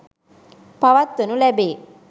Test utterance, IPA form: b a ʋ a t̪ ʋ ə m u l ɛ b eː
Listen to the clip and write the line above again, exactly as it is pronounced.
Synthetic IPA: p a ʋ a t̪ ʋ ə n u l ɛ b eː

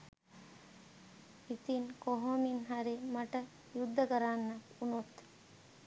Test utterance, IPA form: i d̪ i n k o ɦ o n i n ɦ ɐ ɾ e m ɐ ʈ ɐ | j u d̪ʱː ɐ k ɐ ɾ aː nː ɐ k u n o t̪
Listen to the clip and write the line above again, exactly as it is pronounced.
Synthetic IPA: i t̪ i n k o ɦ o m i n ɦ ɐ ɾ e m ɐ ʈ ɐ | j u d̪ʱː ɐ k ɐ ɾ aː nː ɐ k u n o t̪

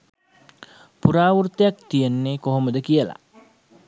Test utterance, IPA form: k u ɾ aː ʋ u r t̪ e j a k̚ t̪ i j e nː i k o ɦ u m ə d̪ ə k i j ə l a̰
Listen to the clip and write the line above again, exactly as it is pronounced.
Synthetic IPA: p u ɾ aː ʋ u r t̪ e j a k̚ t̪ i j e nː e k o ɦ o m ə d̪ ə k i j ə l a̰

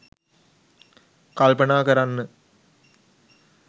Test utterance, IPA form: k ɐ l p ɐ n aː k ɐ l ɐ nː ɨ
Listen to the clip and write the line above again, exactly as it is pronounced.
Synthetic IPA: k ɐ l p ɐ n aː k ɐ ɾ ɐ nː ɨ

